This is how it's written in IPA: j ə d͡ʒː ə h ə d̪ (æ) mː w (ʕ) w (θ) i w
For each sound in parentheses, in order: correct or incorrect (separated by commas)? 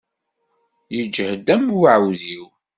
correct, correct, incorrect